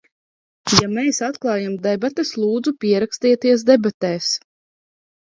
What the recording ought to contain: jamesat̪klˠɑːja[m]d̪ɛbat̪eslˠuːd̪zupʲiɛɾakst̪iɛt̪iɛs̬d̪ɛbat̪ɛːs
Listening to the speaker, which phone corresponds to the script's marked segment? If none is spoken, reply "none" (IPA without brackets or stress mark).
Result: m